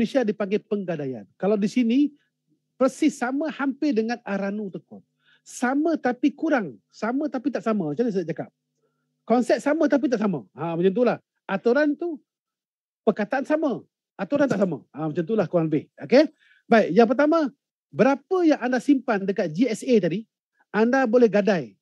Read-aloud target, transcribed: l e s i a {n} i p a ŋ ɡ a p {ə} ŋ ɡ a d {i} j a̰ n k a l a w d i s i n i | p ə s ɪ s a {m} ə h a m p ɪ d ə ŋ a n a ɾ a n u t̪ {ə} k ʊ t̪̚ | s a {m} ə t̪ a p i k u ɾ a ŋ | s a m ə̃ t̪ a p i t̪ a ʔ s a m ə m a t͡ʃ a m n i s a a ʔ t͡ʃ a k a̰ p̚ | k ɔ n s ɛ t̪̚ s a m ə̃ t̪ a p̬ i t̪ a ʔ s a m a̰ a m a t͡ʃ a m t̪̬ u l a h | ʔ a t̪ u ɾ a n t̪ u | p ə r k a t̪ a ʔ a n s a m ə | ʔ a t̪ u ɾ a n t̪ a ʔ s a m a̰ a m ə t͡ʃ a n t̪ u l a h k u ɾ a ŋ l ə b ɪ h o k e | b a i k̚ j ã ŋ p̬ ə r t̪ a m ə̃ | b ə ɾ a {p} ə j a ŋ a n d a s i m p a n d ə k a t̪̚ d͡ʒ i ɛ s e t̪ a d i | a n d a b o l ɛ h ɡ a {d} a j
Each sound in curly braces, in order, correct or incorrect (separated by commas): incorrect, correct, incorrect, correct, correct, correct, correct, correct